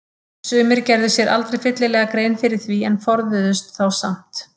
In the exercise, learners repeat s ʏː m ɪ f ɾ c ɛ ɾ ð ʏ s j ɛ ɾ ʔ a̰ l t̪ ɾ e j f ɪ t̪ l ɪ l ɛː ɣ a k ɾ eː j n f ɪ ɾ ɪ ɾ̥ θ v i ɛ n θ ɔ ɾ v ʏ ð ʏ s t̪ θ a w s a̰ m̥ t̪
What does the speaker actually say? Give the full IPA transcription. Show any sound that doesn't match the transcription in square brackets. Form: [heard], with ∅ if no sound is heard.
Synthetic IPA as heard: s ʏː m ɪ [∅] ɾ c ɛ ɾ ð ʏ s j ɛ ɾ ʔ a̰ l t̪ ɾ e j f ɪ t̪ l ɪ l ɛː ɣ a k ɾ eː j n f ɪ ɾ ɪ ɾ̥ θ v i ɛ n [f] ɔ ɾ [ð] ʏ ð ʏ s t̪ θ a w s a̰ m̥ t̪